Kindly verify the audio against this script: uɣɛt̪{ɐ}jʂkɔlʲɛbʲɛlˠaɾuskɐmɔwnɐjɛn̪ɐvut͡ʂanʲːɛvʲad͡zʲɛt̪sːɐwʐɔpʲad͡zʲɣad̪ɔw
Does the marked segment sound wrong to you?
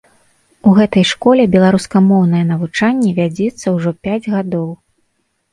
no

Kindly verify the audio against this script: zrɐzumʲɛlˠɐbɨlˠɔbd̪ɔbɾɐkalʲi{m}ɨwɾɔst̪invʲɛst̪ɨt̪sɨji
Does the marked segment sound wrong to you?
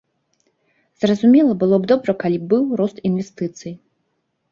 yes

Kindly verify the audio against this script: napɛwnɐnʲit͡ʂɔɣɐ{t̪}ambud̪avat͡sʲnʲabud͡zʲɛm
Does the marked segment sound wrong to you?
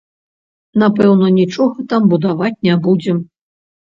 no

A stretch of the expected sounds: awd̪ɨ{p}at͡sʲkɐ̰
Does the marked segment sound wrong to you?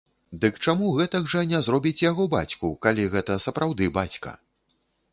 yes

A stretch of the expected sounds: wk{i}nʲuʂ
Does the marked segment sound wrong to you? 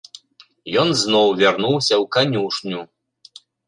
yes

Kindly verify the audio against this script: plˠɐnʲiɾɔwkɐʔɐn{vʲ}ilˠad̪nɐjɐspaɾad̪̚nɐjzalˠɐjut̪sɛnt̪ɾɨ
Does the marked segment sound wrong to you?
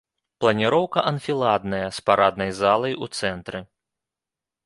yes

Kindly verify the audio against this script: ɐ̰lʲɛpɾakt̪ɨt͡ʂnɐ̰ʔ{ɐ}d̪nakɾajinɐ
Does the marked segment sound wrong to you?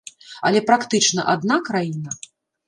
yes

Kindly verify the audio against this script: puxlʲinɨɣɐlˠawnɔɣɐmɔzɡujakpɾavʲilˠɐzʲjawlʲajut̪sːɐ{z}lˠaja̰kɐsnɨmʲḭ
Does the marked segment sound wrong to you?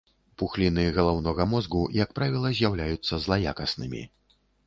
no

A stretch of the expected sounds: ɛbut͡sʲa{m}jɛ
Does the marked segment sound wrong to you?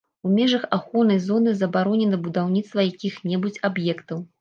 yes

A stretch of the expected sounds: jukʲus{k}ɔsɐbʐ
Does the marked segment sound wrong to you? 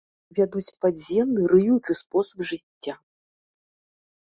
yes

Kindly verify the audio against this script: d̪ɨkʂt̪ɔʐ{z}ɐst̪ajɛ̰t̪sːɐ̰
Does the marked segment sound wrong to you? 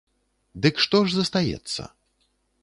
no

